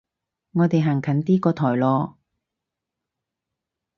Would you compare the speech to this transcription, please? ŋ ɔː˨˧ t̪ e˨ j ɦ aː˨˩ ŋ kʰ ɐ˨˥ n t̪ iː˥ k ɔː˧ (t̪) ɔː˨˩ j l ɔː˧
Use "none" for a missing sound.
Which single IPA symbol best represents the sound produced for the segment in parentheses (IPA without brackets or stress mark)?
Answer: t̪ʰ